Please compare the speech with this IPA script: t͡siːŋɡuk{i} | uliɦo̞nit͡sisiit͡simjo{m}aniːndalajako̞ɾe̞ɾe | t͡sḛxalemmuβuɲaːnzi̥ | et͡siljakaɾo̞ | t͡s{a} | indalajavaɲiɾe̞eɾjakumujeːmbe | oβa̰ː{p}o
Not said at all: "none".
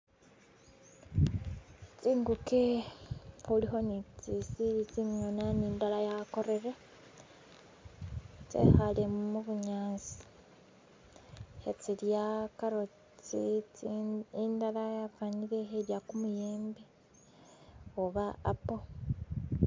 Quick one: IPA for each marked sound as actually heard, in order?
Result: e, n, i, p

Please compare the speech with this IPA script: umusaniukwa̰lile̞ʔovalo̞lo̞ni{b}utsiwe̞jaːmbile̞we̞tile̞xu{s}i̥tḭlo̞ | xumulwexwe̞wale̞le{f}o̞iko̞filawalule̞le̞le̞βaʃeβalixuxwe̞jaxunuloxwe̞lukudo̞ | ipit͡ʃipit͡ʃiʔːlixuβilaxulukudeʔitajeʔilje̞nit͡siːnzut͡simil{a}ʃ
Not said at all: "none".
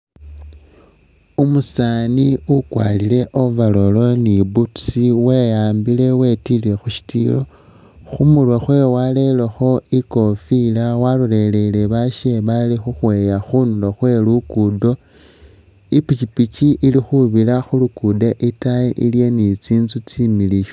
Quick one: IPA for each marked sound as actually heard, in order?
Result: b, ʃ, x, i

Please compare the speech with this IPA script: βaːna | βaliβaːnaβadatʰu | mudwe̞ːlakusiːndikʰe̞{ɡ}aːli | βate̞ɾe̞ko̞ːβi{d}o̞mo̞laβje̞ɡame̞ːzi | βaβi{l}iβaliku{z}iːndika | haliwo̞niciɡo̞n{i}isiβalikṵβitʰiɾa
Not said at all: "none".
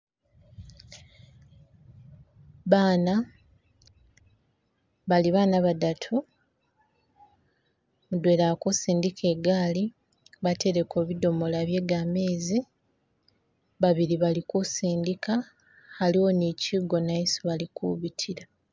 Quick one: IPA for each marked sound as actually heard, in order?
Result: ɡ, d, ɾ, s, a

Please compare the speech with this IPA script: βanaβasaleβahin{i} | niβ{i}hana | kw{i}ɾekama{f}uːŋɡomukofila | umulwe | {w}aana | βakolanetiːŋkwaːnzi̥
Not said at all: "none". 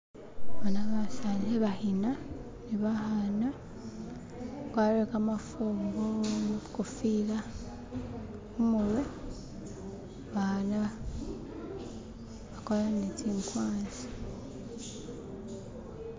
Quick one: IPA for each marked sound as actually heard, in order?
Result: a, a, a, f, β

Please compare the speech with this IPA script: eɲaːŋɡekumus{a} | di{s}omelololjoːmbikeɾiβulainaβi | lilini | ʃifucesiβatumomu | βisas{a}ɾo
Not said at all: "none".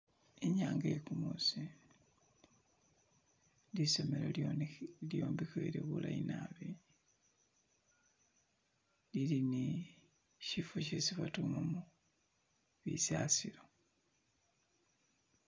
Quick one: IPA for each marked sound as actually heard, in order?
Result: i, s, i

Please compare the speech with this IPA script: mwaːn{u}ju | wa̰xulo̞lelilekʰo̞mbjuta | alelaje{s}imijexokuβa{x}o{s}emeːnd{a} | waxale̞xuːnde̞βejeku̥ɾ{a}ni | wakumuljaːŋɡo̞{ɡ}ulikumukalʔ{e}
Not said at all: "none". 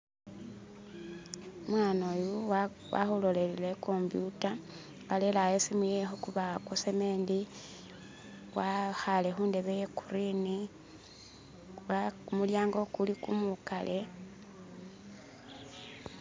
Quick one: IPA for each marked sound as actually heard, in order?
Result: o, s, k, s, i, i, k, e

